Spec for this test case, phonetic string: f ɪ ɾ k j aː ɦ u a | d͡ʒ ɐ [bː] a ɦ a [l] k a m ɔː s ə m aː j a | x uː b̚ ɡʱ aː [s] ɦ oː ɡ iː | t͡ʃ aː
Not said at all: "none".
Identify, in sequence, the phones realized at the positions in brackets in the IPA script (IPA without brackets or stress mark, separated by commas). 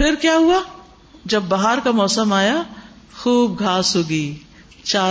bː, ɾ, s